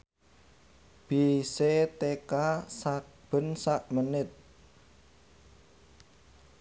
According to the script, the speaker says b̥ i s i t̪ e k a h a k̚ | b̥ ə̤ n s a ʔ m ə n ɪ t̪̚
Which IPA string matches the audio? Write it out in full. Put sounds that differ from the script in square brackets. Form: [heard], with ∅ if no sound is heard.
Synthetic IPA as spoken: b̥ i s [e] t̪ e k a [s] a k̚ | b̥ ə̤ n s a ʔ m ə n ɪ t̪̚